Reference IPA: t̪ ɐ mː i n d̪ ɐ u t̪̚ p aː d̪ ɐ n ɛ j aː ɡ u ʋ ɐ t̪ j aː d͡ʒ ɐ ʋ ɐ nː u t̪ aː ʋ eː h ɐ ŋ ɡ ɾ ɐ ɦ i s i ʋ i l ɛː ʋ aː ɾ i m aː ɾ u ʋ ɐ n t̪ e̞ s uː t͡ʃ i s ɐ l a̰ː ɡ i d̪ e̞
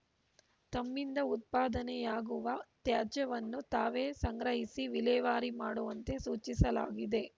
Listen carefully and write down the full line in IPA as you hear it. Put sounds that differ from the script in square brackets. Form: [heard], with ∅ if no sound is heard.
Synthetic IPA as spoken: t̪ ɐ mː i n d̪ ɐ u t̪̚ p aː d̪ ɐ n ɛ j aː ɡ u ʋ ɐ t̪ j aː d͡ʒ ɐ ʋ ɐ nː u t̪ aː ʋ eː [s] ɐ ŋ ɡ ɾ ɐ ɦ i s i ʋ i l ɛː ʋ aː ɾ i m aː [ɽ] u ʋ ɐ n t̪ e̞ s uː t͡ʃ i s ɐ l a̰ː ɡ i d̪ e̞

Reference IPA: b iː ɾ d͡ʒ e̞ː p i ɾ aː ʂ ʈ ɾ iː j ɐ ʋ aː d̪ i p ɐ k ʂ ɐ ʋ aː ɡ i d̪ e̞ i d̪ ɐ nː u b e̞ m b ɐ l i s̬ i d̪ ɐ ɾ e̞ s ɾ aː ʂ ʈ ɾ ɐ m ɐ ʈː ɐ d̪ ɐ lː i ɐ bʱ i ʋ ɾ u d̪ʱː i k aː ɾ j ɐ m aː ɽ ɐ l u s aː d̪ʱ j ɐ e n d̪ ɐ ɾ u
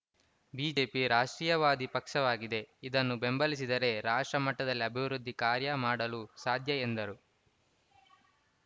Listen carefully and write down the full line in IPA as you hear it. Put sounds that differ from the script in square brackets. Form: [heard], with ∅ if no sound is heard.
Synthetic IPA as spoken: b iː [∅] d͡ʒ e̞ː p i ɾ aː ʂ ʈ ɾ iː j ɐ ʋ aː d̪ i p ɐ k ʂ ɐ ʋ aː ɡ i d̪ e̞ i d̪ ɐ nː u b e̞ m b ɐ l i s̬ i d̪ ɐ ɾ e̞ [∅] ɾ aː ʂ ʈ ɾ ɐ m ɐ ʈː ɐ d̪ ɐ lː i ɐ bʱ i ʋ ɾ u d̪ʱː i k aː ɾ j ɐ m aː ɽ ɐ l u s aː d̪ʱ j ɐ e n d̪ ɐ ɾ u

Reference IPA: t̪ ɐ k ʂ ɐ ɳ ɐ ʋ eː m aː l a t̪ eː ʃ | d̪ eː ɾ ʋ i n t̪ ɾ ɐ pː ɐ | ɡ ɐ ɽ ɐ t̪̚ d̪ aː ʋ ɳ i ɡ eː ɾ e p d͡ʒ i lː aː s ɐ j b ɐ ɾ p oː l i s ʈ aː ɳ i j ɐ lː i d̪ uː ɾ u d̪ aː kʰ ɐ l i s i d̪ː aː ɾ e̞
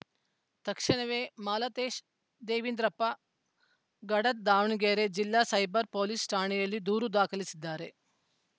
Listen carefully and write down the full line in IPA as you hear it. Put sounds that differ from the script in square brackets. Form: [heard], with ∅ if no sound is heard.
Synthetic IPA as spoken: t̪ ɐ k ʂ ɐ ɳ ɐ ʋ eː m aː l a t̪ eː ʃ | d̪ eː [∅] ʋ i n [d̪] ɾ ɐ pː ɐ | ɡ ɐ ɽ ɐ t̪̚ d̪ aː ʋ ɳ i ɡ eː ɾ e [∅] d͡ʒ i lː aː s ɐ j b ɐ ɾ p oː l i s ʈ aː ɳ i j ɐ lː i d̪ uː ɾ u d̪ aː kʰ ɐ l i s i d̪ː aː ɾ e̞

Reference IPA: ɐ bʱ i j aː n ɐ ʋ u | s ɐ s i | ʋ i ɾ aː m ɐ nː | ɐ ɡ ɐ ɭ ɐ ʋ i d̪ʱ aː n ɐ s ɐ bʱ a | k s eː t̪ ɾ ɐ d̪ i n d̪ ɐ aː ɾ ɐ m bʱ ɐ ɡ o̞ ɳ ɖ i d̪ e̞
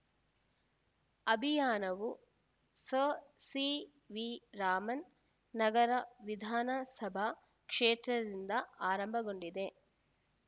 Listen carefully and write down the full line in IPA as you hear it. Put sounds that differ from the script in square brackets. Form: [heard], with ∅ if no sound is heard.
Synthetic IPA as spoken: ɐ bʱ i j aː n ɐ ʋ u | s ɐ s i | ʋ i ɾ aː m ɐ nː | ɐ ɡ ɐ [ɾ] ɐ ʋ i d̪ʱ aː n ɐ s ɐ bʱ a | k [ʂ] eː t̪ ɾ ɐ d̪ i n d̪ ɐ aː ɾ ɐ m bʱ ɐ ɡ o̞ ɳ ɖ i d̪ e̞

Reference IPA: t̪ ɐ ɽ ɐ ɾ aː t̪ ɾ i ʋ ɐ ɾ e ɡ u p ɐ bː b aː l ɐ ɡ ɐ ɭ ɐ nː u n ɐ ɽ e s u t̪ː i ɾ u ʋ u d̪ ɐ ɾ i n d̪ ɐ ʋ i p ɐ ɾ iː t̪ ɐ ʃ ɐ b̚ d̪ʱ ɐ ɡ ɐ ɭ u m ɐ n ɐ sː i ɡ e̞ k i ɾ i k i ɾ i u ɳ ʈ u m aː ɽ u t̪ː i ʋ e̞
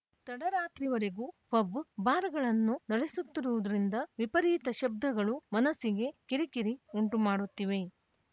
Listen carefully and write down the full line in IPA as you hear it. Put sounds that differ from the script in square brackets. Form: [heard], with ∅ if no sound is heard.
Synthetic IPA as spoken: t̪ ɐ ɽ ɐ ɾ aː t̪ ɾ i ʋ ɐ ɾ e ɡ u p ɐ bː b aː [ɾ] ɐ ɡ ɐ ɭ ɐ nː u n ɐ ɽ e s u t̪ː i ɾ u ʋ u d̪ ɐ ɾ i n d̪ ɐ ʋ i p ɐ ɾ iː t̪ ɐ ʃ ɐ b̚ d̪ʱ ɐ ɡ ɐ ɭ u m ɐ n ɐ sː i ɡ e̞ k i ɾ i k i ɾ i u ɳ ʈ u m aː ɽ u t̪ː i ʋ e̞

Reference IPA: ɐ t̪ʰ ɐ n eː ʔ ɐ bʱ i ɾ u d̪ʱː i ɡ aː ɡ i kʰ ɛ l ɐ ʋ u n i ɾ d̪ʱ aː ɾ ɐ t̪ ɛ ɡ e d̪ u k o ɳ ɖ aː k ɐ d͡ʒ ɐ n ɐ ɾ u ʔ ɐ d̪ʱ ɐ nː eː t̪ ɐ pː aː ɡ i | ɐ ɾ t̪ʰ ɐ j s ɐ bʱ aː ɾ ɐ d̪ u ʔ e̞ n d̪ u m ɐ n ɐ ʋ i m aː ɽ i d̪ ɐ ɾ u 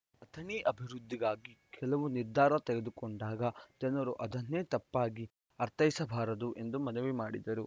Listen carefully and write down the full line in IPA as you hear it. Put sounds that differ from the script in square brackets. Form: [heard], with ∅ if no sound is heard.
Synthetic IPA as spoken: ɐ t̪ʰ ɐ n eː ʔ ɐ bʱ i ɾ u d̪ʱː i ɡ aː ɡ i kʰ ɛ l ɐ ʋ u n i ɾ d̪ʱ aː ɾ ɐ t̪ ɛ ɡ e d̪ u k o ɳ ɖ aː [ɡ] ɐ d͡ʒ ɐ n ɐ ɾ u ʔ ɐ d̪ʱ ɐ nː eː t̪ ɐ pː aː ɡ i | ɐ ɾ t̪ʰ ɐ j s ɐ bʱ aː ɾ ɐ d̪ u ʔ e̞ n d̪ u m ɐ n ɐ ʋ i m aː ɽ i d̪ ɐ ɾ u

